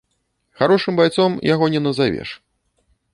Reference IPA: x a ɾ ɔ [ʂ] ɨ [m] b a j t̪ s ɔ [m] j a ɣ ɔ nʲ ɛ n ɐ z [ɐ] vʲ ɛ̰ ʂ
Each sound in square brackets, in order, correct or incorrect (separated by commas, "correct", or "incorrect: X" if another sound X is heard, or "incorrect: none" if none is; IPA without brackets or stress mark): correct, correct, correct, incorrect: a